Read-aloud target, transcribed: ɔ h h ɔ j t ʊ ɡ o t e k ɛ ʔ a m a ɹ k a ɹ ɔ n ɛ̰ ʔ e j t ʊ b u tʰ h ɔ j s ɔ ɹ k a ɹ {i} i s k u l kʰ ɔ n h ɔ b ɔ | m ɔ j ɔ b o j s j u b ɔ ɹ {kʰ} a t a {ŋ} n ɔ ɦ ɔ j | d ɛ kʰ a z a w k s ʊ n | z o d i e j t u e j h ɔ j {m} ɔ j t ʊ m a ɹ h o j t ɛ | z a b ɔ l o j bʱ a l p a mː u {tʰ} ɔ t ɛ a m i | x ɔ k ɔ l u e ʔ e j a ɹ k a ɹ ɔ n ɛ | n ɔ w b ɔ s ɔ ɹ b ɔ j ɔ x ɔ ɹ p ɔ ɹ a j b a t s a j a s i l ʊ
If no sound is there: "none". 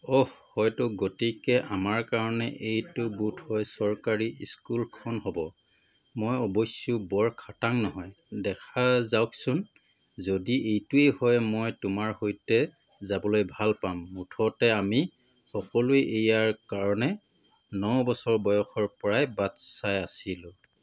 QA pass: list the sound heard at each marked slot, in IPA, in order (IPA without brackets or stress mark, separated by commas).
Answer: i, kʰ, ŋ, m, tʰ